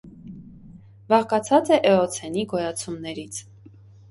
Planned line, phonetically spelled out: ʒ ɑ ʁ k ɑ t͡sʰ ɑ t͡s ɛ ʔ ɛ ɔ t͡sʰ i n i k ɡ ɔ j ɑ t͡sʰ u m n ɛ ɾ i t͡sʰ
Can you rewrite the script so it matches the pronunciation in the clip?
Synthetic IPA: v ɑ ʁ k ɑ t͡sʰ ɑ t͡s ɛ ʔ ɛ ɔ t͡sʰ ɛ n i ɡ ɔ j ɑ t͡sʰ u m n ɛ ɾ i t͡sʰ